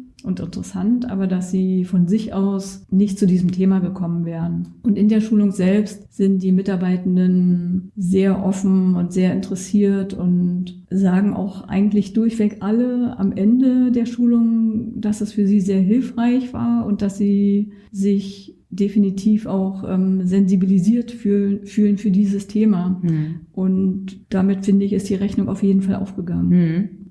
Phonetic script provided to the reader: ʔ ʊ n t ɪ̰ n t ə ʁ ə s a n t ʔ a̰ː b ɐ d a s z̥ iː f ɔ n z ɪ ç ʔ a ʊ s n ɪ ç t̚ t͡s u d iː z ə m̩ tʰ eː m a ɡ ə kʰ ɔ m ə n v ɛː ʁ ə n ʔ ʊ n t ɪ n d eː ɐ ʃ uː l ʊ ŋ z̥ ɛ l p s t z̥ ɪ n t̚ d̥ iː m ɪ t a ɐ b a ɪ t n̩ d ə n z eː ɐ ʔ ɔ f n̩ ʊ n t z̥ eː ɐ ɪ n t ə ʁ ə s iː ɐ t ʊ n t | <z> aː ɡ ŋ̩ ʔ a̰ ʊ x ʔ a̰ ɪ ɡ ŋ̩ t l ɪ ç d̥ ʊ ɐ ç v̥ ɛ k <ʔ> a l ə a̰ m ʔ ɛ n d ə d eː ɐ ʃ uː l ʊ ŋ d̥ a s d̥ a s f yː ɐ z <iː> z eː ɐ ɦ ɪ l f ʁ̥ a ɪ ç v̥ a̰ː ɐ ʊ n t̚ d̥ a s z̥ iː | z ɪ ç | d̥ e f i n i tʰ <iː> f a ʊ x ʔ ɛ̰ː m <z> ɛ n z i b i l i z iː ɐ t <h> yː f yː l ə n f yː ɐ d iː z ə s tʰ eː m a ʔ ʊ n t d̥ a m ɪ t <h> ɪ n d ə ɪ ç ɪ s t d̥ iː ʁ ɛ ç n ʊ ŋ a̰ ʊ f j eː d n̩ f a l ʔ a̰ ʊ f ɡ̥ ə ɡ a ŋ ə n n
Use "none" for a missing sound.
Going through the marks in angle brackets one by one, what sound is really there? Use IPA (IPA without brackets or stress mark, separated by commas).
z, ʔ, iː, iː, z, f, f